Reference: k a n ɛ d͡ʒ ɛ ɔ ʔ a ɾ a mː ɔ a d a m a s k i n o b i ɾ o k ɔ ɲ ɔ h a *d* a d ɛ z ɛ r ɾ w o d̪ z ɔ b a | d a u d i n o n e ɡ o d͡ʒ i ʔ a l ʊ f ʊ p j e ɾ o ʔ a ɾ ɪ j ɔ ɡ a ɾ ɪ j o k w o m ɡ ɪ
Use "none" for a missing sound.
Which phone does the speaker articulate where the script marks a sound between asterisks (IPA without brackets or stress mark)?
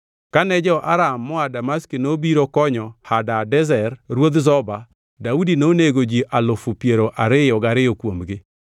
d